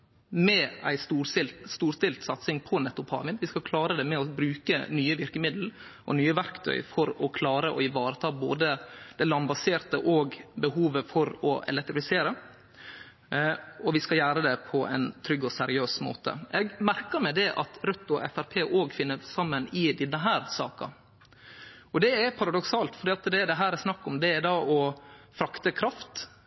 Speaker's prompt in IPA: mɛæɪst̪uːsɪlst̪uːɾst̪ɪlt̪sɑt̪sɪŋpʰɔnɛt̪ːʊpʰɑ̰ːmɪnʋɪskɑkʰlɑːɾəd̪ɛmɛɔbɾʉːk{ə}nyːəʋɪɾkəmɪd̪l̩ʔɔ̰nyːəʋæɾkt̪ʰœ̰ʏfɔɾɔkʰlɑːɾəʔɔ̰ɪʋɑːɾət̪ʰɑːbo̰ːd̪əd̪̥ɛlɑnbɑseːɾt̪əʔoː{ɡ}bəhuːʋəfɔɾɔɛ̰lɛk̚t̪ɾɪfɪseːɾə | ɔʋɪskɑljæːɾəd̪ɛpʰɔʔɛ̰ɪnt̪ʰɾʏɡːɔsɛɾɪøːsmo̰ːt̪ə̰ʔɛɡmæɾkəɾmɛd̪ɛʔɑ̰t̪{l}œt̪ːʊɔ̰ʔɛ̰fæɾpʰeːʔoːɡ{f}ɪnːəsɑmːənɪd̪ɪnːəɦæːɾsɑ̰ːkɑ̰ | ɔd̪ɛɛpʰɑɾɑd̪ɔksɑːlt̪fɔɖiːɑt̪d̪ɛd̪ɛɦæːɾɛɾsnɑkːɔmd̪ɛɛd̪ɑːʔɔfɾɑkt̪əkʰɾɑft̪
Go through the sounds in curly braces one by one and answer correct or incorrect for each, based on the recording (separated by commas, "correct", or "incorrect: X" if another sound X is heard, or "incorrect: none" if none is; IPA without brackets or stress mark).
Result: correct, correct, incorrect: ɾ, correct